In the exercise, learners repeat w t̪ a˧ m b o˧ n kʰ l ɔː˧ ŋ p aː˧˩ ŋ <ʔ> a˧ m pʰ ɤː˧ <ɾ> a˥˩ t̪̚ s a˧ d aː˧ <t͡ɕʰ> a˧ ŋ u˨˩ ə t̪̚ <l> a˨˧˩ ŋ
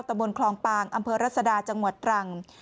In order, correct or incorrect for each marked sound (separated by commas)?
correct, correct, incorrect, incorrect